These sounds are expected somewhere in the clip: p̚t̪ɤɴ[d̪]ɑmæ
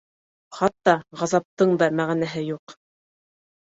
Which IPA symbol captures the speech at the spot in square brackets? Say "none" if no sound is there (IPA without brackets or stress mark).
d̪